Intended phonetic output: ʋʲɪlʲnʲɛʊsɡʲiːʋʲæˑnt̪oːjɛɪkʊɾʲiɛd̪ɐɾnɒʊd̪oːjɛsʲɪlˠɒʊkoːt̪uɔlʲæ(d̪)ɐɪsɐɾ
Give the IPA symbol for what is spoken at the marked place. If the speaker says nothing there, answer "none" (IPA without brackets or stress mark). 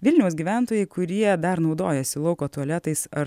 t̪